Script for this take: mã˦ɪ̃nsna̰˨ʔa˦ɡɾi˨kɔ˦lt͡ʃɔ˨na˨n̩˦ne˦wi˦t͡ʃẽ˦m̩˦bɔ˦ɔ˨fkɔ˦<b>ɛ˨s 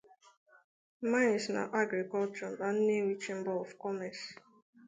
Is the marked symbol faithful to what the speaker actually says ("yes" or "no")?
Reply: no